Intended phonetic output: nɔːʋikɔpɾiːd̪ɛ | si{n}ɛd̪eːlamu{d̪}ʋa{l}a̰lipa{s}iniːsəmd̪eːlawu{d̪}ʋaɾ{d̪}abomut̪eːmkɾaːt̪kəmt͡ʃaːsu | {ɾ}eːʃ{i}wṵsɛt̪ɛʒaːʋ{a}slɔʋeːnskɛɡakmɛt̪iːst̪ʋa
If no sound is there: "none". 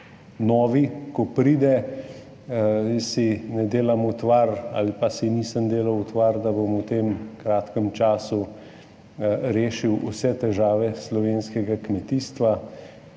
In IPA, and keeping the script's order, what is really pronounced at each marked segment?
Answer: n, t̪, ɾ, s, t̪, d̪, ɾ, i, ɛ

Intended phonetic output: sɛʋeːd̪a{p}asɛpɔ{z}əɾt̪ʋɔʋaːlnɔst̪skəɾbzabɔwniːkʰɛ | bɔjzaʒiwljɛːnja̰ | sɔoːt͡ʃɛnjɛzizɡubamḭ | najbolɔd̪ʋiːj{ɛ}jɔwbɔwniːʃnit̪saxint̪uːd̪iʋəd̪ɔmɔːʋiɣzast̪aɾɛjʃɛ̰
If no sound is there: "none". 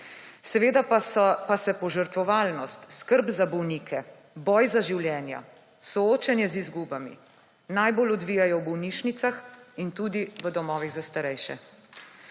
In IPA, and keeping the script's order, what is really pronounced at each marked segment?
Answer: p, ʒ, a

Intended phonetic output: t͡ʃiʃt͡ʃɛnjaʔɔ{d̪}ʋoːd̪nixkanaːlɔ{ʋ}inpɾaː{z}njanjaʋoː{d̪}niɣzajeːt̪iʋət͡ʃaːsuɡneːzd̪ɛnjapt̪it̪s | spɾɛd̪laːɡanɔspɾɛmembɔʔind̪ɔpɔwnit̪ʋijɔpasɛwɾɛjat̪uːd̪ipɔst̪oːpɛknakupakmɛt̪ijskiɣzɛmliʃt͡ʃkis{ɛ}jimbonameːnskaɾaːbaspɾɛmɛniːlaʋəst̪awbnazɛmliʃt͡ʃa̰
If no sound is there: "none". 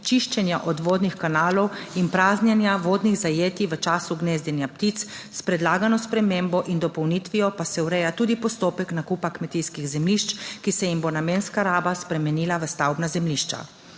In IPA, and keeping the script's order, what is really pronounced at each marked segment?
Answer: d̪, w, z, d̪, ɛ

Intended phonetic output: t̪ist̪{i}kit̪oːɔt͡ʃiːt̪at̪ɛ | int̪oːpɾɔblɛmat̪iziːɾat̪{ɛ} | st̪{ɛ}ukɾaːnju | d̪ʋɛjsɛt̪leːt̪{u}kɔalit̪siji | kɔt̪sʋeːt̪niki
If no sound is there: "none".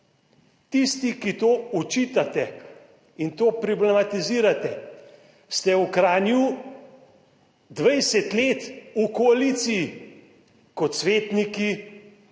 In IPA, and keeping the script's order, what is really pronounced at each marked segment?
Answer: i, ɛ, ɛ, u

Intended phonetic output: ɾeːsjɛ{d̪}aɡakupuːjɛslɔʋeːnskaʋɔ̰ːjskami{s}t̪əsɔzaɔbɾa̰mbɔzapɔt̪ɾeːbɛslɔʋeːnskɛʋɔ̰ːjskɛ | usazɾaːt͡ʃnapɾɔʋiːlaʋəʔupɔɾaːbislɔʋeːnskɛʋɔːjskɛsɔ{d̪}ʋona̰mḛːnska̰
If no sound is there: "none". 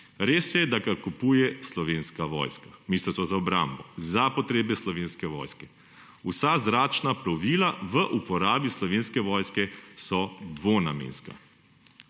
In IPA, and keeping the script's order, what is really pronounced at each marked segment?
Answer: d̪, s, d̪

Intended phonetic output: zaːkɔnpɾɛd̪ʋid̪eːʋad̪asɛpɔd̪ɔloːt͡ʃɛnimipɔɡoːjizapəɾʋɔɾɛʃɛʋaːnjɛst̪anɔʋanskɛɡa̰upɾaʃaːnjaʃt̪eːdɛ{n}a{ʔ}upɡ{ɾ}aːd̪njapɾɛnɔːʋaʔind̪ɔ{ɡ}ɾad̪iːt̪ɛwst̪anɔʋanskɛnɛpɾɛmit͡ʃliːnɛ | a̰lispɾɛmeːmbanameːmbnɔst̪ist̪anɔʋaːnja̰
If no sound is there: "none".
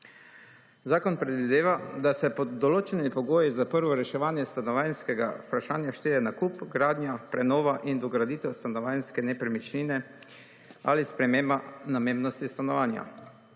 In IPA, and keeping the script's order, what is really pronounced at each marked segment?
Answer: n, k, ɾ, ɡ

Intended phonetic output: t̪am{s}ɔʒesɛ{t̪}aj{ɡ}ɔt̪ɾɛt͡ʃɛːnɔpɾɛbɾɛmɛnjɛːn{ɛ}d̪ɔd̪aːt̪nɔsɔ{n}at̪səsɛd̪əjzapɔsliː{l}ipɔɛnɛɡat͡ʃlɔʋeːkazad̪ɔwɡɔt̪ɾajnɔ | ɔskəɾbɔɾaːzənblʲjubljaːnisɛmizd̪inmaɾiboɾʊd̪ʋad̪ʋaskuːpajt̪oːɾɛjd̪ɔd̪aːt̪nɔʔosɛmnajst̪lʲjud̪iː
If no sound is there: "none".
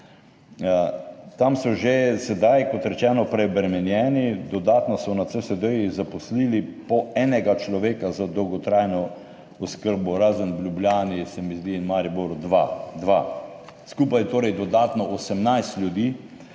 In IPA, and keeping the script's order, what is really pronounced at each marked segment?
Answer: s, d̪, k, i, n, l

